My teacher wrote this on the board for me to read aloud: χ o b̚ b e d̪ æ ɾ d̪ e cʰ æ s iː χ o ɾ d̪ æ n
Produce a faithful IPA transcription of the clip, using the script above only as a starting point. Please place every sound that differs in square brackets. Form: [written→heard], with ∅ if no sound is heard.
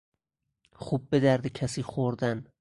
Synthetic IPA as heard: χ [o→u] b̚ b e d̪ æ ɾ d̪ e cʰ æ s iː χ o ɾ d̪ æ n